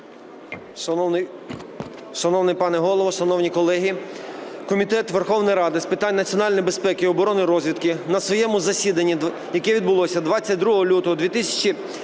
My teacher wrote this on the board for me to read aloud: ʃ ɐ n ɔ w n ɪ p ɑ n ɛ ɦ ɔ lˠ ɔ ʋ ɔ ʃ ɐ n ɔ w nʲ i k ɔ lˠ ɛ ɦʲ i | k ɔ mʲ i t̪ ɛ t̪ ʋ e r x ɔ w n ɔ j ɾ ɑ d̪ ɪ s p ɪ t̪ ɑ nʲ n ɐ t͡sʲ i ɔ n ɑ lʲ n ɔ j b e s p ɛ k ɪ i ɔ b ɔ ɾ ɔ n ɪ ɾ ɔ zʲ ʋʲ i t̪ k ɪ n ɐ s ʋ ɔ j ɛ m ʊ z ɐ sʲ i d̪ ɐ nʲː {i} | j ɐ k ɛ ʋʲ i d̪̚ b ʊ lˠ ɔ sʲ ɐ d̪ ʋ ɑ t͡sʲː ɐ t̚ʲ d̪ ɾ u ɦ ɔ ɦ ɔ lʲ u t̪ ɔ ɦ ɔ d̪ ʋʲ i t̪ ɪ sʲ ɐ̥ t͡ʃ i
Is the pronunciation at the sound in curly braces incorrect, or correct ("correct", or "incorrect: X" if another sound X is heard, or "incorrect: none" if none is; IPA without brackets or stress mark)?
correct